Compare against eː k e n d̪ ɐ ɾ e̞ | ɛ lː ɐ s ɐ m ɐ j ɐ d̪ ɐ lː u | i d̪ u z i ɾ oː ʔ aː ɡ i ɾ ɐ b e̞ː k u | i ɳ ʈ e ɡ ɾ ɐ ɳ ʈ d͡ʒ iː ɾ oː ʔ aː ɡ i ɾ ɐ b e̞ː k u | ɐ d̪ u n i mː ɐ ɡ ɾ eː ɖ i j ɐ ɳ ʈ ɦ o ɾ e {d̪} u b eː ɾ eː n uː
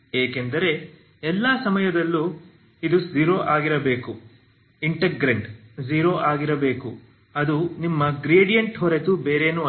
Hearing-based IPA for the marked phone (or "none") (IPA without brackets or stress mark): t̪